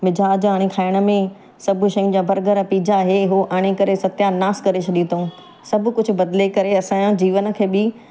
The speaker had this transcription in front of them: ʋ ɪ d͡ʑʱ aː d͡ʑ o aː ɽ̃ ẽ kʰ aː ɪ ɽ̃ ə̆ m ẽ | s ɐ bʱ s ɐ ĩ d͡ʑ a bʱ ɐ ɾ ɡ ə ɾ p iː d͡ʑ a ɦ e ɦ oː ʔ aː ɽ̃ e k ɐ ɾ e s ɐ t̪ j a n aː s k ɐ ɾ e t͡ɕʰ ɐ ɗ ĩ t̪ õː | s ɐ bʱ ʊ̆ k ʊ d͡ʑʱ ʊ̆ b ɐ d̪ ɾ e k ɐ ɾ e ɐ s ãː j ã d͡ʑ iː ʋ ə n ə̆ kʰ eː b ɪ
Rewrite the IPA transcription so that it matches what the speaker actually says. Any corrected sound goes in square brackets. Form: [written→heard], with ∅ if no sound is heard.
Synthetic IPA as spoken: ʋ ɪ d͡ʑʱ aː d͡ʑ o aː ɽ̃ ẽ kʰ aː ɪ ɽ̃ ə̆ m ẽ | s ɐ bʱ [s→ʃ] ɐ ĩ d͡ʑ a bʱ ɐ ɾ ɡ ə ɾ p iː d͡ʑ a ɦ e ɦ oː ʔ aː ɽ̃ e k ɐ ɾ e s ɐ t̪ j a n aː s k ɐ ɾ e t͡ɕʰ ɐ ɗ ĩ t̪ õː | s ɐ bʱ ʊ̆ k ʊ d͡ʑʱ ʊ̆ b ɐ d̪ [ɾ→l] e k ɐ ɾ e ɐ s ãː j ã d͡ʑ iː ʋ ə n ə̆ kʰ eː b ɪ